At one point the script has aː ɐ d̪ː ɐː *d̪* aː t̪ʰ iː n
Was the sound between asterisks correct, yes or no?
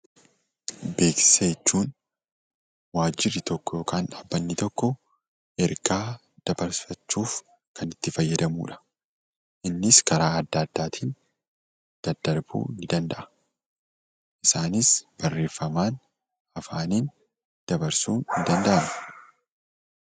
no